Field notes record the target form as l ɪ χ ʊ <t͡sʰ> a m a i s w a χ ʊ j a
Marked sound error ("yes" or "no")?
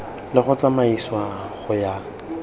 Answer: yes